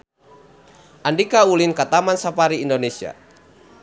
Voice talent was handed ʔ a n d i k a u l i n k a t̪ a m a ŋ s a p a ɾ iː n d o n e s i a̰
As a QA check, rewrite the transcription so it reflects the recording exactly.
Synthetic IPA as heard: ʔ a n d i k a u l i n k a t̪ a m a n s a p a ɾ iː n d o n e s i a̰